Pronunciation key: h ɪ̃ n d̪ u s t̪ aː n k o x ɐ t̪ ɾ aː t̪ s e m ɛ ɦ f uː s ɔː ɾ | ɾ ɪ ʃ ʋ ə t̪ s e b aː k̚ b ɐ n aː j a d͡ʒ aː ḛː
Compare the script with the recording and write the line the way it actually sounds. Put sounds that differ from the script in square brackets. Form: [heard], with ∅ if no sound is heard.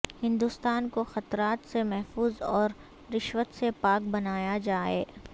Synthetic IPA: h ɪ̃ n d̪ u s t̪ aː n k o x ɐ t̪ ɾ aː t̪ s e m ɛ ɦ f uː [z] ɔː ɾ | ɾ ɪ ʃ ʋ ə t̪ s e [p] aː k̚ b ɐ n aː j a d͡ʒ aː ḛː